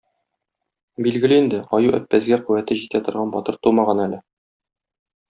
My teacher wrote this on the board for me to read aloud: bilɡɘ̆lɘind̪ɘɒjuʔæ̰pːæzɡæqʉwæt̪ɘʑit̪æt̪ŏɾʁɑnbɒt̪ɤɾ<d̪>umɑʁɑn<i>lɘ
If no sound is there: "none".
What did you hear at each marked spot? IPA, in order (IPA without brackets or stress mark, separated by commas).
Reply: t̪, æ